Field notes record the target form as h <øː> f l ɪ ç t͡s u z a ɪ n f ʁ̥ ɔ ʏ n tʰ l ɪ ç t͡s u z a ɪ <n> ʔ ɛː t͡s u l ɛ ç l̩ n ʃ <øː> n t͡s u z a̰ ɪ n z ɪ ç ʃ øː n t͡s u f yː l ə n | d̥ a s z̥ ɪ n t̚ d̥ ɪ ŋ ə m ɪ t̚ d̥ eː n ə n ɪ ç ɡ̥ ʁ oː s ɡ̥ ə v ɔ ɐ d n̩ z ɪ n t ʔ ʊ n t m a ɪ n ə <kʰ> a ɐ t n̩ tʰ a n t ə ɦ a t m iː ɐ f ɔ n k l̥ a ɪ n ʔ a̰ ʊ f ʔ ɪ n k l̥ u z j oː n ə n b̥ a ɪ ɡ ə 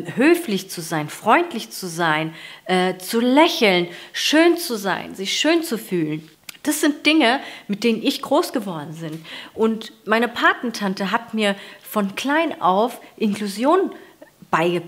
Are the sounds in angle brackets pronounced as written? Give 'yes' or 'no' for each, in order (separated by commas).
yes, yes, yes, no